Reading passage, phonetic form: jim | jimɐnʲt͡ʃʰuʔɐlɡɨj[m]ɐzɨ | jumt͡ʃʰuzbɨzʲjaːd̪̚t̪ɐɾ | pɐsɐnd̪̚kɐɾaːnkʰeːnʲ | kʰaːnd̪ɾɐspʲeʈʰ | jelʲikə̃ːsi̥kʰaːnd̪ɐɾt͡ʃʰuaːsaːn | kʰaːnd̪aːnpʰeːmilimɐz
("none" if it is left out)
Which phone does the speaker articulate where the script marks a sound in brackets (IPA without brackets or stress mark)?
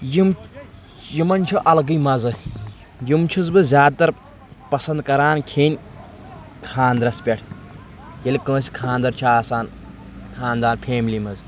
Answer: m